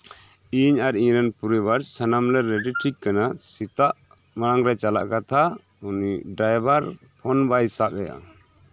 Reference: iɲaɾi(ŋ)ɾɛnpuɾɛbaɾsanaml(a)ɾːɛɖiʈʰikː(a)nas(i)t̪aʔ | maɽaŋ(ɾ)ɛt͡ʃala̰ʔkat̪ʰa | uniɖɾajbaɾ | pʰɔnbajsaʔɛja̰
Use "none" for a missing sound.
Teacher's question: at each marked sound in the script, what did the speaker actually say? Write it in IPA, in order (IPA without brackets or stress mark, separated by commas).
ɲ, ɛ, a, i, ɾ